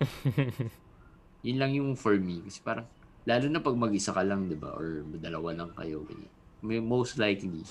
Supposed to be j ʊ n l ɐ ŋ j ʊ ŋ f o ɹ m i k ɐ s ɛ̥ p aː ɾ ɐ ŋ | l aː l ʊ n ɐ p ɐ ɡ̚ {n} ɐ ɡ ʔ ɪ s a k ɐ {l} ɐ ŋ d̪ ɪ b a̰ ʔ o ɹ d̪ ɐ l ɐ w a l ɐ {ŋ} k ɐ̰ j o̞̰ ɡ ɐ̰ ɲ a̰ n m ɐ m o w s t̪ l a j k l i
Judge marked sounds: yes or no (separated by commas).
no, yes, yes